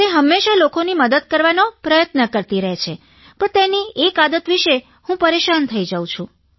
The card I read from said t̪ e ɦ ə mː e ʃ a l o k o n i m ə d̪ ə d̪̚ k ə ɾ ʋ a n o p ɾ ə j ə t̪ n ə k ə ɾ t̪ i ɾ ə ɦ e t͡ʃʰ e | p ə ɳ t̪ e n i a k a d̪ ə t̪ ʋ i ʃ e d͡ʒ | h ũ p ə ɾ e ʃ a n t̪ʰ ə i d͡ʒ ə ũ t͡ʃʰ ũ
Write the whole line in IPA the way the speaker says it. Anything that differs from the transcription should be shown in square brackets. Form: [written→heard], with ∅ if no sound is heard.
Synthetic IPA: t̪ e ɦ ə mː e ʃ a l o k o n i m ə d̪ ə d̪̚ k ə ɾ ʋ a n o p ɾ ə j ə t̪ n ə k ə ɾ t̪ i ɾ ə ɦ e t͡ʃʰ e | p ə ɳ t̪ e n i [a→e] k a d̪ ə t̪ ʋ i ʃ e [d͡ʒ→∅] | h ũ p ə ɾ e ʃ a n t̪ʰ ə i d͡ʒ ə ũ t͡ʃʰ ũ